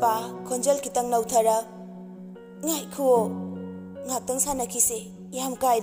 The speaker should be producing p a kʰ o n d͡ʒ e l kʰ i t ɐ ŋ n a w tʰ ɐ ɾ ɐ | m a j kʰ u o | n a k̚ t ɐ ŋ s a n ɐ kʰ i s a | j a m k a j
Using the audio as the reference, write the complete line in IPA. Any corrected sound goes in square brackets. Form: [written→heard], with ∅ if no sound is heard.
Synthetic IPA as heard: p a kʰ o n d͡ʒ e l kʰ i t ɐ ŋ n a w tʰ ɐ ɾ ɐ | [m→ŋ] a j kʰ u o | [n→ŋ] a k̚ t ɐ ŋ s a n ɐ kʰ i s [a→e] | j a m k a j